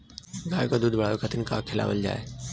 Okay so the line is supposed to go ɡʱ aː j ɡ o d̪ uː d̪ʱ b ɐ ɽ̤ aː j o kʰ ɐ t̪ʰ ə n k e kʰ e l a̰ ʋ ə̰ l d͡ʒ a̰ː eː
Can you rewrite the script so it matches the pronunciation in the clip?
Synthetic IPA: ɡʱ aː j k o d̪ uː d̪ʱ b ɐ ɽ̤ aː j o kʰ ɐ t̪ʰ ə n k a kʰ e l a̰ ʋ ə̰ l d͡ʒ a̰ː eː